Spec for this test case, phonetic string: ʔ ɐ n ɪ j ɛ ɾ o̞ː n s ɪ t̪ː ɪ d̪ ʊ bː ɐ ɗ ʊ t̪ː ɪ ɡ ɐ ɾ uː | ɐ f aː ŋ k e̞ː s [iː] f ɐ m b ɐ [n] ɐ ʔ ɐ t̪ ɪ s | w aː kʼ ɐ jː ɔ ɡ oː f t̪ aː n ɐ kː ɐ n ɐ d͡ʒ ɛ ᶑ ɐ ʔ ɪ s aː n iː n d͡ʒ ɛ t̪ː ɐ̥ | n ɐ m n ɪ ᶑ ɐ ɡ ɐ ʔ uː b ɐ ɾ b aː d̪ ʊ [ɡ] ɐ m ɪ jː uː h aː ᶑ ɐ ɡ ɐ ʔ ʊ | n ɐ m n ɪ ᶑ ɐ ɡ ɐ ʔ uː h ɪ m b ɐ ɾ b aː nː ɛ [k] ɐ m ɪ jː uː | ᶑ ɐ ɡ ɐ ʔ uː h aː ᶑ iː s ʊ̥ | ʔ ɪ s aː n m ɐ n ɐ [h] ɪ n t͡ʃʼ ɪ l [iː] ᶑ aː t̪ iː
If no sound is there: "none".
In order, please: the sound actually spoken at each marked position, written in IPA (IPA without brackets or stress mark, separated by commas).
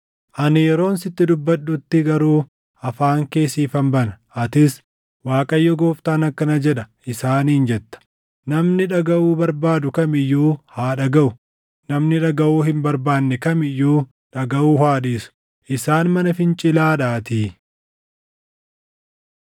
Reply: iː, n, k, k, f, aː